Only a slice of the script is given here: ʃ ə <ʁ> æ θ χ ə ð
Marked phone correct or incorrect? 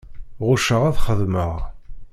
correct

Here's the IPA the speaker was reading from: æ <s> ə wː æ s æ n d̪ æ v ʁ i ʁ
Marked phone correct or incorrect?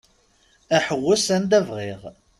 incorrect: ħ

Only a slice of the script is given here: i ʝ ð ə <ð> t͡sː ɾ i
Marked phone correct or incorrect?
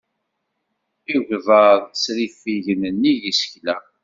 correct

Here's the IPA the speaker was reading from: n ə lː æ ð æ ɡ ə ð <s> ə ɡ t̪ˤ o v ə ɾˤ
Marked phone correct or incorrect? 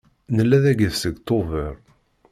correct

